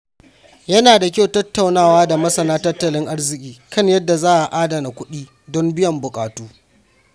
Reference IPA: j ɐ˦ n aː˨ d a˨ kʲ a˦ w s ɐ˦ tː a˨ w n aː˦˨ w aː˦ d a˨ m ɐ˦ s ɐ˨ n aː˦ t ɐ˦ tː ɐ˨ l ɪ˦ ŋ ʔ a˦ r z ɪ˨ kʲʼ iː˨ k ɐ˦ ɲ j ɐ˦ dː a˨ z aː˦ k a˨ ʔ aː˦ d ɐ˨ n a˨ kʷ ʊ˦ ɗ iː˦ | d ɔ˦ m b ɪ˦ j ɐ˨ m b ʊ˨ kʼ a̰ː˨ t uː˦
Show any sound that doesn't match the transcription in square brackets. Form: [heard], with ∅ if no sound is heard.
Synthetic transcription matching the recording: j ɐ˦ n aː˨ d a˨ kʲ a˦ w [t] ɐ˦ tː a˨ w n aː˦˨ w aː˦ d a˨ m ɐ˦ s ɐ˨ n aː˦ t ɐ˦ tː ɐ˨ l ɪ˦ ŋ ʔ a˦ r z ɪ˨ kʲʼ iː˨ k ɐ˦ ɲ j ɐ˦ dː a˨ z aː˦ [ʔ] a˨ ʔ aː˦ d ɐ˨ n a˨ kʷ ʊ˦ ɗ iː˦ | d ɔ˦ m b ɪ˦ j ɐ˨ m b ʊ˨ kʼ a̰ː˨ t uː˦